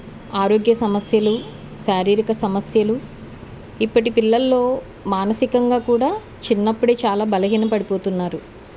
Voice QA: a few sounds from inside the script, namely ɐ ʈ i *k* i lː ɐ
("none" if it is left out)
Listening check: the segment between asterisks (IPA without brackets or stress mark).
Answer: p